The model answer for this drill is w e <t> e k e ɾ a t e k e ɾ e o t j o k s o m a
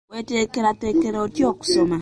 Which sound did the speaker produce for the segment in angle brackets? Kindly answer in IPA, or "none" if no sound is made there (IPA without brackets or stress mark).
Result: t